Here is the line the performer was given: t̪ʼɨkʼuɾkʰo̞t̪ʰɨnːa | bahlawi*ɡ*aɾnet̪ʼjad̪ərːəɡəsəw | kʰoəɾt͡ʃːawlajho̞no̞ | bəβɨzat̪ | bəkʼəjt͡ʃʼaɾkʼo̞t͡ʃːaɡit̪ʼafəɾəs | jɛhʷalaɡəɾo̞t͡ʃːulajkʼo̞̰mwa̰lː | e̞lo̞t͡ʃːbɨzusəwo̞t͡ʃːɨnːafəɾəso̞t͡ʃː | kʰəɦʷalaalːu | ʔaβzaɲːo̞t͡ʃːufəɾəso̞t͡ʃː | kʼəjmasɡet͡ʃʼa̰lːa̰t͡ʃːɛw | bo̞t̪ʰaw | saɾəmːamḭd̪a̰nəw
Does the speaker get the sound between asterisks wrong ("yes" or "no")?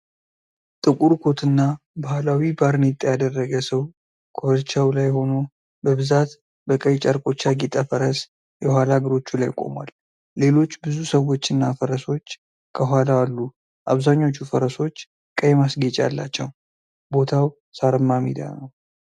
yes